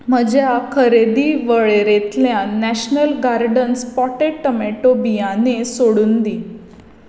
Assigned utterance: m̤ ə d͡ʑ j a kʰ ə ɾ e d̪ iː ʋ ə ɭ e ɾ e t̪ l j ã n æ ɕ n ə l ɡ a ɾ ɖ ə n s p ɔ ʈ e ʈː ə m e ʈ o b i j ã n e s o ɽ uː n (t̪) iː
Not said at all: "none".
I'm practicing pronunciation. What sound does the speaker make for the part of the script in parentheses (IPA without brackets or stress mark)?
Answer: d̪